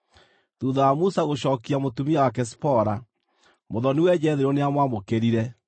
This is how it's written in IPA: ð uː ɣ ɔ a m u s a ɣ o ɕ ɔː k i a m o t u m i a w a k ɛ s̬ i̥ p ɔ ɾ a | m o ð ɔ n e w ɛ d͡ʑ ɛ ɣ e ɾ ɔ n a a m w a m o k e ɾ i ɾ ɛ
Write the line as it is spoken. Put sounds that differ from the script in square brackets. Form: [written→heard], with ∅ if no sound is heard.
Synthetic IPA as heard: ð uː [ɣ→ð] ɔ a m u s a ɣ o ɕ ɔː k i a m o t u m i a w a k ɛ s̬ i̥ p ɔ ɾ a | m o ð ɔ n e w ɛ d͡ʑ ɛ [ɣ→ð] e ɾ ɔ n [a→e] a m w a m o k e ɾ i ɾ ɛ